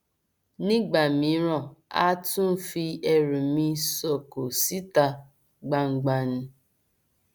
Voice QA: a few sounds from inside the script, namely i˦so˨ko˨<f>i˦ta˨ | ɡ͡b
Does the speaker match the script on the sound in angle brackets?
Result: no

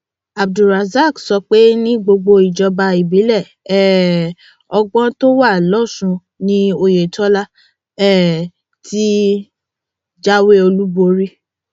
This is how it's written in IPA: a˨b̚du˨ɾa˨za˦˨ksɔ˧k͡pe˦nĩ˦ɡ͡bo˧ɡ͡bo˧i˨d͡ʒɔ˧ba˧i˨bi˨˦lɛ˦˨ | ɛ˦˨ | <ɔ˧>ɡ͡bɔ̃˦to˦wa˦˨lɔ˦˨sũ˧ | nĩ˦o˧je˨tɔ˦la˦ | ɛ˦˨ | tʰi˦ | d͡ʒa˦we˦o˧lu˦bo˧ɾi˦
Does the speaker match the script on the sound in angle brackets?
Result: yes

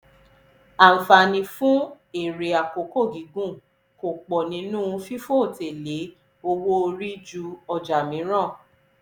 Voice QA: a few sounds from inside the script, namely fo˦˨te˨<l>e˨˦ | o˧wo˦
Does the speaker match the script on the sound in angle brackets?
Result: yes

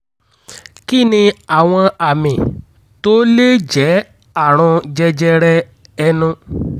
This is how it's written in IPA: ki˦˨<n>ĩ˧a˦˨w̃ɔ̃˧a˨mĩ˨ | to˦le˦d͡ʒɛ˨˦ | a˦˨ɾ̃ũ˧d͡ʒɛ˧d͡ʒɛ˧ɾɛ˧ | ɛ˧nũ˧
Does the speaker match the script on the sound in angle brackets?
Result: yes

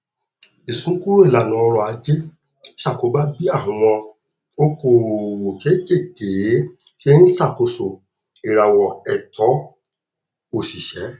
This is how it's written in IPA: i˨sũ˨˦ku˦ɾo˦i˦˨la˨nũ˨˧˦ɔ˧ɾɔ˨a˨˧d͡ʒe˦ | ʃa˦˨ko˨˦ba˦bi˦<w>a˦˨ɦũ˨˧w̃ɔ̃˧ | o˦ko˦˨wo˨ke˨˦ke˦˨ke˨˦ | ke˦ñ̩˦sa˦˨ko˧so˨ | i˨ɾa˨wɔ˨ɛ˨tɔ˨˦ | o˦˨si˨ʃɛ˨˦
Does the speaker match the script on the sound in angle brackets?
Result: no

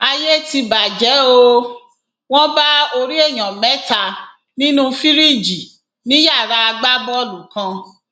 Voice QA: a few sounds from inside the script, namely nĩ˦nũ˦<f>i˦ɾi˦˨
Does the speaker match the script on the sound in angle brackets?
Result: yes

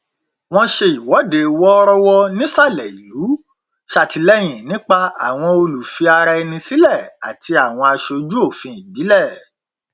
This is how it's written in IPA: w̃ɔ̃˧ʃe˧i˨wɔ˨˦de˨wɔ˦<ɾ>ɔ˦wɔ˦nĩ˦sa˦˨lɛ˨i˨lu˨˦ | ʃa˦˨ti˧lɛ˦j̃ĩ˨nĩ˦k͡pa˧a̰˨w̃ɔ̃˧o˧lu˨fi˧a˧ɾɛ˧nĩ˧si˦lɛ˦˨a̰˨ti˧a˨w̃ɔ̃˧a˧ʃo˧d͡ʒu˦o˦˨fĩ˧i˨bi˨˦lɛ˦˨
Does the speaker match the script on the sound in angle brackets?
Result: yes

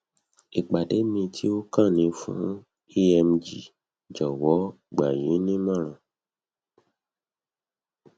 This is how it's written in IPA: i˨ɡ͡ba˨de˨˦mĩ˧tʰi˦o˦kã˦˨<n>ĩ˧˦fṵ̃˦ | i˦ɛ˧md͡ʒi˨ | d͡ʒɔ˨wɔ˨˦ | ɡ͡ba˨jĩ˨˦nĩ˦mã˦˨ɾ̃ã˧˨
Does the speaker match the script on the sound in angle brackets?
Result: yes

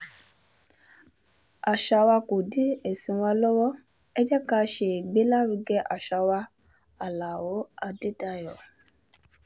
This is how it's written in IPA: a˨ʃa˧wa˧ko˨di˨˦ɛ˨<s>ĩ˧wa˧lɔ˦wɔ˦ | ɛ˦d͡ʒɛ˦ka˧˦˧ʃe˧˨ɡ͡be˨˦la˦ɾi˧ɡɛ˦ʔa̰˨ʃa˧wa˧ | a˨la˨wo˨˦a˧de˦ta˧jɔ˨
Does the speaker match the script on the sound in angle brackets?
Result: yes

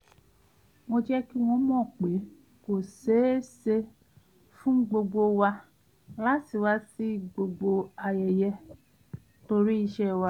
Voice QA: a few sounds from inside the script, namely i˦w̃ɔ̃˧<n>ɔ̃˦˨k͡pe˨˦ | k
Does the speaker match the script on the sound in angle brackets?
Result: no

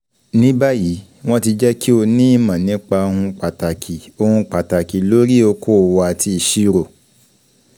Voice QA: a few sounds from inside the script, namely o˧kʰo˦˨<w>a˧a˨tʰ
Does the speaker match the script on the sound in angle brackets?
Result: yes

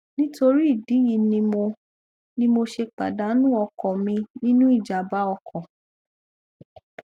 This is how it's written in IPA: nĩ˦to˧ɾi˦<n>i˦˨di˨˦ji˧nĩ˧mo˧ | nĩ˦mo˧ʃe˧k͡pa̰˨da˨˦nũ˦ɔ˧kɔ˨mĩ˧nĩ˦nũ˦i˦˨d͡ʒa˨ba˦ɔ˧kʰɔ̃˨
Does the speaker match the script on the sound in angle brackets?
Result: no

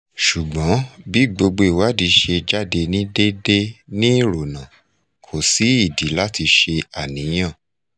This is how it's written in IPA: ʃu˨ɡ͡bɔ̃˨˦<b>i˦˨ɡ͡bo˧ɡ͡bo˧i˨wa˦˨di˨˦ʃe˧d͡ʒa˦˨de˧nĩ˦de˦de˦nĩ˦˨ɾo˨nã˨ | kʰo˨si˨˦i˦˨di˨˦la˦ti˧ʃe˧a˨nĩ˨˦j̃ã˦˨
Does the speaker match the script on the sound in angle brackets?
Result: yes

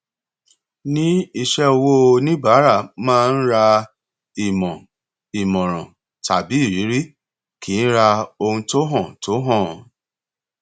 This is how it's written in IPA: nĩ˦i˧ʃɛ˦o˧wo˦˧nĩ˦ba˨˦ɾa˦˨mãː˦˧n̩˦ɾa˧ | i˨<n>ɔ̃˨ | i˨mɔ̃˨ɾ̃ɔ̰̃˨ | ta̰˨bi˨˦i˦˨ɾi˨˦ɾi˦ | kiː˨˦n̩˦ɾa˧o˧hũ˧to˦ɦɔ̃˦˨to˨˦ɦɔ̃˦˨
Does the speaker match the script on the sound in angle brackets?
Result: no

